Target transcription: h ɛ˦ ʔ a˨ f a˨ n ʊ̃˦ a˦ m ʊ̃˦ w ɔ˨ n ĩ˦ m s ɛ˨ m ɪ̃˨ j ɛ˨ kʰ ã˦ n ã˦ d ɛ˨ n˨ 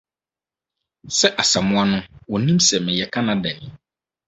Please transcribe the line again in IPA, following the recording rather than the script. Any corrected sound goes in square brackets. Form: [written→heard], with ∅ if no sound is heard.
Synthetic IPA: [h→s] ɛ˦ ʔ a˨ [f→s] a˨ [n→m] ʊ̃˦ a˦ [m→n] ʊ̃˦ w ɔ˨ n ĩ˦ m s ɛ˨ m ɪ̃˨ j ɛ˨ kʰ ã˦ n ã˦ d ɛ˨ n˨